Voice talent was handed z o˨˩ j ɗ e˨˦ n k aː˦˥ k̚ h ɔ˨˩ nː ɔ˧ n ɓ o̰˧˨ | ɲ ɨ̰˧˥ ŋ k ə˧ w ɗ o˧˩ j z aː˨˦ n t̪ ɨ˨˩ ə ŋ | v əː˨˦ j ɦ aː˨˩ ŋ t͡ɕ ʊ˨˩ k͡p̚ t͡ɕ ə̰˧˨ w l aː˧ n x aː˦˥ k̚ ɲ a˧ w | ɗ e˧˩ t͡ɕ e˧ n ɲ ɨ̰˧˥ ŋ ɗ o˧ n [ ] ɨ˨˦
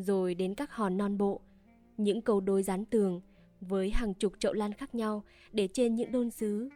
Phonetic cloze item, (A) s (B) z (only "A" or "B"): A